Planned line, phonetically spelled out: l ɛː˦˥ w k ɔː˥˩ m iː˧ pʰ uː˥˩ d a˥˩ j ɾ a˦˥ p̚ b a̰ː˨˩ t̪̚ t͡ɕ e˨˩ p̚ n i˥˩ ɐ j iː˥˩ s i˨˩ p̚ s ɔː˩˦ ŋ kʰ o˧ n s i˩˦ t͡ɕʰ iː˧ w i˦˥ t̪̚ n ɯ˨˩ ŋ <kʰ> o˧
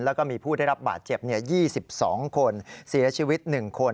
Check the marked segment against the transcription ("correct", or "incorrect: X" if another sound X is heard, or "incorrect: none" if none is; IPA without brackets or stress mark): correct